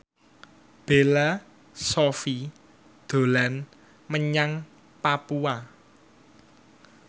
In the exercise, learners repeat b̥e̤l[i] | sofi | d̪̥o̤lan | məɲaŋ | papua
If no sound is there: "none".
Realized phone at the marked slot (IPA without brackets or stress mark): a